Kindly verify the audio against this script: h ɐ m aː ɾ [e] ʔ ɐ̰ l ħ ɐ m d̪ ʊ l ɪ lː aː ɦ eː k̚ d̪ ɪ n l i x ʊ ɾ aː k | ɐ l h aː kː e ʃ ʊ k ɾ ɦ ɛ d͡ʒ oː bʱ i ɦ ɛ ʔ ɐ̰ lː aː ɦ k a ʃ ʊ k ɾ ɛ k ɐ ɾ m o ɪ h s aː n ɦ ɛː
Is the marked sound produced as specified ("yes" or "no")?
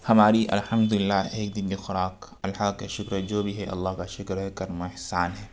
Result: no